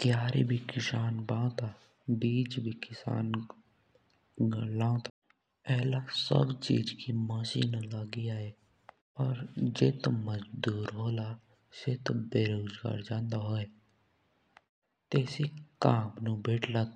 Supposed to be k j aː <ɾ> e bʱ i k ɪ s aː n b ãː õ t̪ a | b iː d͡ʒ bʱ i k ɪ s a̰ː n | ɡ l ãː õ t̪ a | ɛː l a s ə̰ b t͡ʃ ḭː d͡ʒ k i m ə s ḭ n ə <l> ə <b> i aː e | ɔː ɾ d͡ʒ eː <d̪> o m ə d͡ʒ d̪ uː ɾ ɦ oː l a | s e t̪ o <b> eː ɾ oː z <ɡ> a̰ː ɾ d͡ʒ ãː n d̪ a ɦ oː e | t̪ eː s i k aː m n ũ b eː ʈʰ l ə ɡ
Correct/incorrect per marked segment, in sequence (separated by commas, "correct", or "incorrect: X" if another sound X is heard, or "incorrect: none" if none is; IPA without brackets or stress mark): correct, correct, incorrect: ɡ, incorrect: t̪, correct, correct